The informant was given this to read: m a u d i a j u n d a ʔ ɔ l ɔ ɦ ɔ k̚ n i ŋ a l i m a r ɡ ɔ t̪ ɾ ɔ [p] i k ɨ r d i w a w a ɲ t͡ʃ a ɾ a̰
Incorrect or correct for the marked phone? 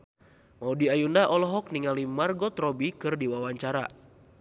incorrect: b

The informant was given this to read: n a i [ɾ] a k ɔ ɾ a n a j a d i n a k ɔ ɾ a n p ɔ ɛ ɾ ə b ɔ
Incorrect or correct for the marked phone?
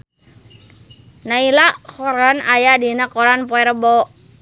incorrect: l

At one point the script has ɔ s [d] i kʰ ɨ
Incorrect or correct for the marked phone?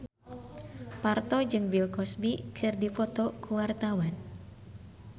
incorrect: b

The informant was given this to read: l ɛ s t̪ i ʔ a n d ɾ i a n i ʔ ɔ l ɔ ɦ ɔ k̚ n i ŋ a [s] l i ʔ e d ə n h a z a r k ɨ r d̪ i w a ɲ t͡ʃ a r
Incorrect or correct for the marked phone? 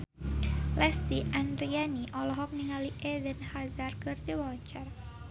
incorrect: none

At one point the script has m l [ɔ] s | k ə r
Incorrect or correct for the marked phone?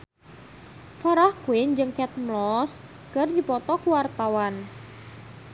correct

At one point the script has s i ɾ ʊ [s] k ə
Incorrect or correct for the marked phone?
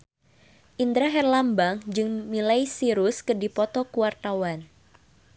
correct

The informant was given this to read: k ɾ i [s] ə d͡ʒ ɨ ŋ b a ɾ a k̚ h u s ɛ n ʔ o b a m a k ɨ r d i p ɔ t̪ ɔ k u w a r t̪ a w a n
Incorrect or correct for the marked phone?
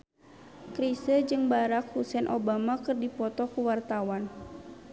correct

